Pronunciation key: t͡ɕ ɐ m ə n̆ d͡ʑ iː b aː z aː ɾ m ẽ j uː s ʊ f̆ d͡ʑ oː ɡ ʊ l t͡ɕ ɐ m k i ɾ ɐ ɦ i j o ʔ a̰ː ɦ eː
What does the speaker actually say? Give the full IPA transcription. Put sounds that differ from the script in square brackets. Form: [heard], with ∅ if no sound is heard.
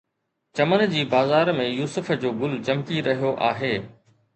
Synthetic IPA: t͡ɕ ɐ m ə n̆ d͡ʑ iː b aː z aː ɾ m ẽ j uː s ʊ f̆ d͡ʑ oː ɡ ʊ l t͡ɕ ɐ m k i ɾ ɐ ɦ i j o ʔ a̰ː ɦ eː